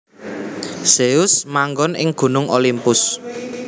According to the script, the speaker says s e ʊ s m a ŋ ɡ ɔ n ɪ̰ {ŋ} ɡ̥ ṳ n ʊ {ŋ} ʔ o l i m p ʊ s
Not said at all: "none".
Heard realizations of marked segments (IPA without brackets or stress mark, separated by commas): ŋ, ŋ